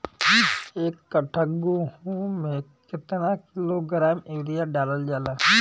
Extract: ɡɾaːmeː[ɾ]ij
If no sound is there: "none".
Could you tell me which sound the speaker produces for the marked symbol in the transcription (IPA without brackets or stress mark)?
ɾ